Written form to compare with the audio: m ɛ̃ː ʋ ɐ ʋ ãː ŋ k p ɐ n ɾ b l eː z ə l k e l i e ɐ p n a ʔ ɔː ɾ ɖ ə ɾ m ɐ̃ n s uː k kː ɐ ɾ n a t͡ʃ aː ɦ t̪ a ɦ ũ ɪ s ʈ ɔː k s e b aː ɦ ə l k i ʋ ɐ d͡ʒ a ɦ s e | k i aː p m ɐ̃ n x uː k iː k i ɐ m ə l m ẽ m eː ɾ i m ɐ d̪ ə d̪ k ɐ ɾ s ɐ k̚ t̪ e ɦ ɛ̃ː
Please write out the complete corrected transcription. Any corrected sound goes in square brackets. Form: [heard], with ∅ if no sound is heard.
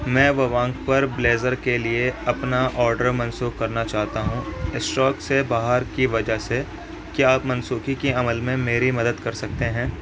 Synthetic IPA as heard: m ɛ̃ː ʋ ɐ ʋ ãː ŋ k p ɐ [∅] ɾ b l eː z ə [ɾ] k e l i e ɐ p n a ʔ ɔː ɾ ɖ ə ɾ m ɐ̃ n s uː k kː ɐ ɾ n a t͡ʃ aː ɦ t̪ a ɦ ũ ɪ s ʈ ɔː k s e b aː ɦ ə [ɾ] k i ʋ ɐ d͡ʒ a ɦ s e | k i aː p m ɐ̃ n [s] uː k [i] k i ɐ m ə l m ẽ m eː ɾ i m ɐ d̪ ə d̪ k ɐ ɾ s ɐ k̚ t̪ e ɦ ɛ̃ː